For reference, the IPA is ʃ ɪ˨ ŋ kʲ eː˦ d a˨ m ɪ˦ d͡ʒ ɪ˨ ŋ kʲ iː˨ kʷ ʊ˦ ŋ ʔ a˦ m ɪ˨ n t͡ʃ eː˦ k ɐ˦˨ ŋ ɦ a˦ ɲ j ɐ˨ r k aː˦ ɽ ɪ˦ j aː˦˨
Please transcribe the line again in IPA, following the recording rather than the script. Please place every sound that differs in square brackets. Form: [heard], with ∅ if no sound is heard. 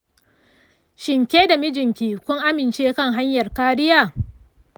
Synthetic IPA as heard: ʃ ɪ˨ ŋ kʲ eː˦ d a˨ m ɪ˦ d͡ʒ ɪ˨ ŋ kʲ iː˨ kʷ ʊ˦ ŋ ʔ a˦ m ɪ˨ n t͡ʃ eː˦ k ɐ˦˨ ŋ ɦ a˦ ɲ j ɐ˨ r k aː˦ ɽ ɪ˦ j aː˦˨